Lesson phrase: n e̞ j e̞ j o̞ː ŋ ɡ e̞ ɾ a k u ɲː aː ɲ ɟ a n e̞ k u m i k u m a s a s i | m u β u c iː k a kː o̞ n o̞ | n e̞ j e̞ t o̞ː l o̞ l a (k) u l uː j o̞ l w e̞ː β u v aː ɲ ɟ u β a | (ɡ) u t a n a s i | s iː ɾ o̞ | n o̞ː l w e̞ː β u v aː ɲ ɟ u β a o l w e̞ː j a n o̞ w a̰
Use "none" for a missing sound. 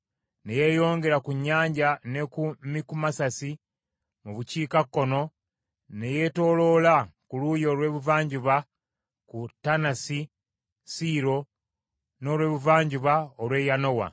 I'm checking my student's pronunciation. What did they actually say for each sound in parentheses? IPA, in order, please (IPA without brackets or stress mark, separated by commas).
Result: k, k